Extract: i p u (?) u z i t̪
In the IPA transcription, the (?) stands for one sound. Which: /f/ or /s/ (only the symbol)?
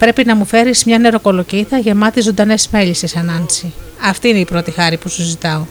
s